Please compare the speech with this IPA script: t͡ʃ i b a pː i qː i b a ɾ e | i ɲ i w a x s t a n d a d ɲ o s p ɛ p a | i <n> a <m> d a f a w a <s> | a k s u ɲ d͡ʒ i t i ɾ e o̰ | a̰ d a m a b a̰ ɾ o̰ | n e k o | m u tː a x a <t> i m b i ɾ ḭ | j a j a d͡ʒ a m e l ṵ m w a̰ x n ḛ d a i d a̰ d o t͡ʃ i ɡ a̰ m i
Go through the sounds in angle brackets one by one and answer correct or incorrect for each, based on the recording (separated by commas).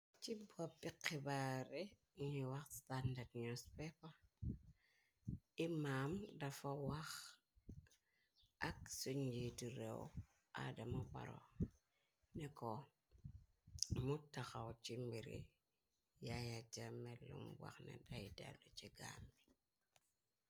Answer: incorrect, correct, incorrect, incorrect